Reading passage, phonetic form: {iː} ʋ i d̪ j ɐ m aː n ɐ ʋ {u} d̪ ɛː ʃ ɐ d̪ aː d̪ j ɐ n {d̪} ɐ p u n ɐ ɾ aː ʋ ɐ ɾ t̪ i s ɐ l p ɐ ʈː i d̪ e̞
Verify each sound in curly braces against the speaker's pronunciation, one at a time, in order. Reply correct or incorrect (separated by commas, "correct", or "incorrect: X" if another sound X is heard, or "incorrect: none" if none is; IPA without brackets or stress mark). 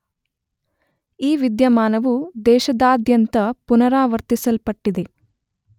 correct, correct, incorrect: t̪